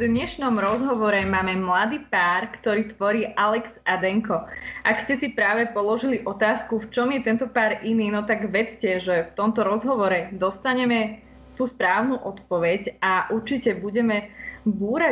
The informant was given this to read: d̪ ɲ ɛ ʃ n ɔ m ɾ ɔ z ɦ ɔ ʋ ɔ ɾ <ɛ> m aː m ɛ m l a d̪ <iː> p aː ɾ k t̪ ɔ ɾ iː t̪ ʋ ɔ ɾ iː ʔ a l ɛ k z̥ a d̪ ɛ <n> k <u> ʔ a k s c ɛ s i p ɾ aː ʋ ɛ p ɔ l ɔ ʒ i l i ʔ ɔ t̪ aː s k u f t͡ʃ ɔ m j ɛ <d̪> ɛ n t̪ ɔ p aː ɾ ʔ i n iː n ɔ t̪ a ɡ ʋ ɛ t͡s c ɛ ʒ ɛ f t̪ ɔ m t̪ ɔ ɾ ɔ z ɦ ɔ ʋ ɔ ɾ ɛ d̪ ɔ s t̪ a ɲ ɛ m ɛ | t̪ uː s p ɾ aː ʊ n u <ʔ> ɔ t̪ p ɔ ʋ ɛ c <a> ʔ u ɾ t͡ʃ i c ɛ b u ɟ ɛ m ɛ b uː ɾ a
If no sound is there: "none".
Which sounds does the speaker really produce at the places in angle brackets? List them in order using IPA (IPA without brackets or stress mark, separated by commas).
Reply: ɛ, iː, ŋ, ɔ, t̪, ʔ, a